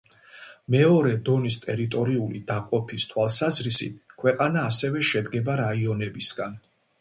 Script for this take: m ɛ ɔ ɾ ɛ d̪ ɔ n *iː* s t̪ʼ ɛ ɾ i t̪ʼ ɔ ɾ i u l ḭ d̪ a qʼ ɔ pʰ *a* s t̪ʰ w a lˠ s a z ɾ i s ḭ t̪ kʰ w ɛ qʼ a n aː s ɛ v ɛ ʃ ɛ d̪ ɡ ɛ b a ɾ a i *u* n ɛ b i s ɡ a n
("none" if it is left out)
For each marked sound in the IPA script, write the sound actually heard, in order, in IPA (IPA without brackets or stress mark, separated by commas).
i, i, ɔ